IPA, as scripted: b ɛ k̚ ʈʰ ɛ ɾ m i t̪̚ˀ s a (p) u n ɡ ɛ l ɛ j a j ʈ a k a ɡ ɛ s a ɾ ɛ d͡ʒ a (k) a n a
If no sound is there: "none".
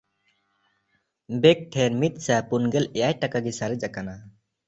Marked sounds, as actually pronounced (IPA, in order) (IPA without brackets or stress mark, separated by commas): p, k